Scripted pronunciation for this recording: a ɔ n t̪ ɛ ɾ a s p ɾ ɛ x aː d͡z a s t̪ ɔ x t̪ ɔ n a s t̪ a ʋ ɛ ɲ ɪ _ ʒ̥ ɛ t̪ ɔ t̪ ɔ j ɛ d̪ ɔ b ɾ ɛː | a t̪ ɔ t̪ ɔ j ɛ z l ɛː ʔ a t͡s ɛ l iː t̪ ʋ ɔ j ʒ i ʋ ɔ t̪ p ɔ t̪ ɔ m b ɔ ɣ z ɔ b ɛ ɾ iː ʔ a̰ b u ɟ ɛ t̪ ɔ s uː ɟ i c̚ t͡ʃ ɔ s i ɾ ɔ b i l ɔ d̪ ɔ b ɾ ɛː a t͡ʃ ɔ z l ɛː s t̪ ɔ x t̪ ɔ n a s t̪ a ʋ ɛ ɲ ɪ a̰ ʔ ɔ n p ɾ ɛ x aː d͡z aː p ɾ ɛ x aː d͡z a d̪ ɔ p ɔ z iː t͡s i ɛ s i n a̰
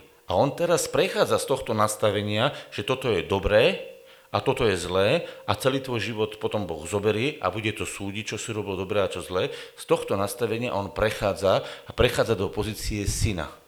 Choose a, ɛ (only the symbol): a